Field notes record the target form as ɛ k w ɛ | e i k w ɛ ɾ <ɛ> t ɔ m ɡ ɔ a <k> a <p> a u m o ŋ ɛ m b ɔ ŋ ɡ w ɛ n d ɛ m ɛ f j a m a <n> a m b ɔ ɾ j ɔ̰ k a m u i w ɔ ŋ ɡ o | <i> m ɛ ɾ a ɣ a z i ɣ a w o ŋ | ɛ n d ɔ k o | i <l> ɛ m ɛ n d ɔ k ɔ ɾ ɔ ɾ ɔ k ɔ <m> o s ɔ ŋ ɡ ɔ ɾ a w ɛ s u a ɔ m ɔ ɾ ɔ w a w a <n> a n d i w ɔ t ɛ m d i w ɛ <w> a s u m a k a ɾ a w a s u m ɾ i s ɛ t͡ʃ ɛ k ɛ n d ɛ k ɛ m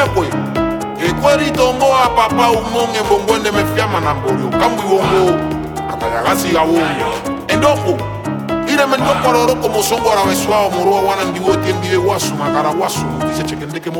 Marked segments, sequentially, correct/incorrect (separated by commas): incorrect, incorrect, correct, correct, incorrect, incorrect, correct, correct, correct